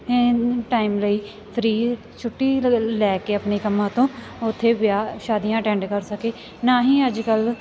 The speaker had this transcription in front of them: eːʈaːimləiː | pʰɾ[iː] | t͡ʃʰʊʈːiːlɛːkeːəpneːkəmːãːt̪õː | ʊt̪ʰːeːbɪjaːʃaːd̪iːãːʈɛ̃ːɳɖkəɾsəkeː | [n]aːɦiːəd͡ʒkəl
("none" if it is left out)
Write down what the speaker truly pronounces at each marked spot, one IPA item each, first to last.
iː, n

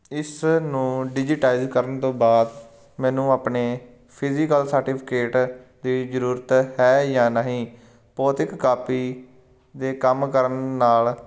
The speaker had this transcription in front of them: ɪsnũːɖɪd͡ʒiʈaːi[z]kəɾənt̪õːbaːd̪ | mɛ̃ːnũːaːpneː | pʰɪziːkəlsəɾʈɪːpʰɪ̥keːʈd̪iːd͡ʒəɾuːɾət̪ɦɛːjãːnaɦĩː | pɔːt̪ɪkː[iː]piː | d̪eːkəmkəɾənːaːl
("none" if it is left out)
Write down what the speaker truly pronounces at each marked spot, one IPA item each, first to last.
z, aː

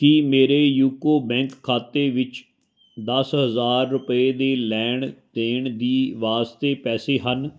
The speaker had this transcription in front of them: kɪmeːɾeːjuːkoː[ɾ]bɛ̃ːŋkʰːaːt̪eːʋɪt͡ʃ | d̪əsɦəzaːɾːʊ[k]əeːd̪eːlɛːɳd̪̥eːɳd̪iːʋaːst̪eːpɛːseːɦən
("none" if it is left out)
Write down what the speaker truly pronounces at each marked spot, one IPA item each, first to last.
none, p

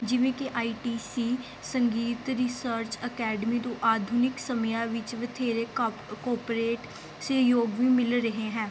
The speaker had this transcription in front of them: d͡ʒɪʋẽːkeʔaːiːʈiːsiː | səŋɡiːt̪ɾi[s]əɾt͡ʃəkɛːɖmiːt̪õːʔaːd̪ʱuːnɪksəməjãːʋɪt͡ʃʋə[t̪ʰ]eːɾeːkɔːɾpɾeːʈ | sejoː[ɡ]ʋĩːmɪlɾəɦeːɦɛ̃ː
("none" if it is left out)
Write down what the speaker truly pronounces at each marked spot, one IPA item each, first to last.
s, t̪ʰ, ɡ

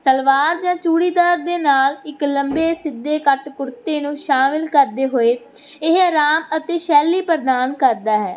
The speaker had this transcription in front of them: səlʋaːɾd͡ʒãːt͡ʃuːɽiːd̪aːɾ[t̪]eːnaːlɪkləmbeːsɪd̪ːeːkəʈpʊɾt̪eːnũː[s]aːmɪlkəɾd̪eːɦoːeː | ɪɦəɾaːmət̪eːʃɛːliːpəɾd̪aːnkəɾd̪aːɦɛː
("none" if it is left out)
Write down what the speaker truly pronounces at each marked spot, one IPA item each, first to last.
d̪, ʃ

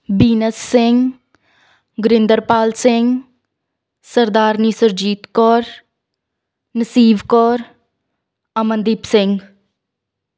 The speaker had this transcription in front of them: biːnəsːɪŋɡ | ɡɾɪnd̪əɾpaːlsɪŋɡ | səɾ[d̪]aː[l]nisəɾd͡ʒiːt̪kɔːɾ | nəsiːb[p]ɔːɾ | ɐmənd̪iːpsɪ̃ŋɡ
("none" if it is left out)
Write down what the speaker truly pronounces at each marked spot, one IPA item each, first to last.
d̪, ɾ, k

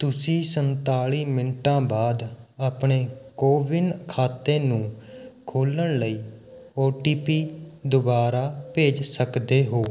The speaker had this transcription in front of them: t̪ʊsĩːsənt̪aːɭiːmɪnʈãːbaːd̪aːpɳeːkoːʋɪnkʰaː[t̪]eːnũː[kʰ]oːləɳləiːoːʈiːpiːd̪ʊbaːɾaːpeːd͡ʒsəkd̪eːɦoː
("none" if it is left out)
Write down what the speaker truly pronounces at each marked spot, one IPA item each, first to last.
t̪, kʰ

